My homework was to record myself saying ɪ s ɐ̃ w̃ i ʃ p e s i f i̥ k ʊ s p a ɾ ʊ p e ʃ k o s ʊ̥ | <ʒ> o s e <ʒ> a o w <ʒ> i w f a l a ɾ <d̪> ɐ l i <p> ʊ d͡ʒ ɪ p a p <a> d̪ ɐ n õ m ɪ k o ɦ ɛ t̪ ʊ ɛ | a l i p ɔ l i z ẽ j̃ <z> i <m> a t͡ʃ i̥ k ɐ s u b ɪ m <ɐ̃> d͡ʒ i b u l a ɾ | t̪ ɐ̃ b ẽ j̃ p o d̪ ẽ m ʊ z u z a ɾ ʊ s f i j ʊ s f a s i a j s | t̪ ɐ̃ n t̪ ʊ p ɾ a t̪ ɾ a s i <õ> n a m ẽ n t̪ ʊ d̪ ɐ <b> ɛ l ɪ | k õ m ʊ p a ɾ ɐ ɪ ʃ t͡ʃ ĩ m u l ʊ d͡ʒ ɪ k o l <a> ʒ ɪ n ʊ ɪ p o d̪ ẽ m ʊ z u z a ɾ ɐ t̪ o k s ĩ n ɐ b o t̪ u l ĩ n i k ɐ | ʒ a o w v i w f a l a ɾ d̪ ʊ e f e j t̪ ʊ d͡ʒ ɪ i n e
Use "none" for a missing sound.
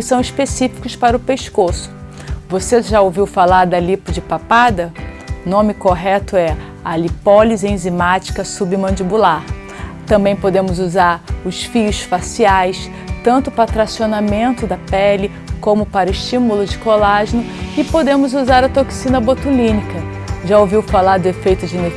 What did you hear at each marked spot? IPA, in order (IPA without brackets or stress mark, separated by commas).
v, ʒ, v, d̪, p, a, z, m, ɐ̃, o, p, a